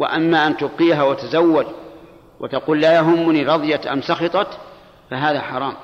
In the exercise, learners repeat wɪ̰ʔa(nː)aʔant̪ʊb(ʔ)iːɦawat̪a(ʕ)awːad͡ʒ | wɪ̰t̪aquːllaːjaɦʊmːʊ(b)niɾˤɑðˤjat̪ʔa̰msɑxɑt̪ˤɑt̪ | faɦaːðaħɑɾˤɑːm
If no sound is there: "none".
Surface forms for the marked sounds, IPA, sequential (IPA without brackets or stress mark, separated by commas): mː, q, z, none